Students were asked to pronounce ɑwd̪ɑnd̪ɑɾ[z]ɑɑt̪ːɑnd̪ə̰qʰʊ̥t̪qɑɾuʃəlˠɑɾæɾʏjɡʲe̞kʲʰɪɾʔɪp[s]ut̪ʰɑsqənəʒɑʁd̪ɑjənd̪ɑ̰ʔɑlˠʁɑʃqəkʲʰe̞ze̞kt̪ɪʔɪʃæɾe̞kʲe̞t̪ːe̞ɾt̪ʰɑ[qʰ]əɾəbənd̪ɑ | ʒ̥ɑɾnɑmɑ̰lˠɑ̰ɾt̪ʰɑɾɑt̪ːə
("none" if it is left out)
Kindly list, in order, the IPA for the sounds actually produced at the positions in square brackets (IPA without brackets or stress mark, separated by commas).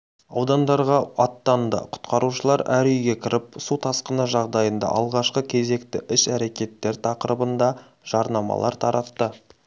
ʁ, s, q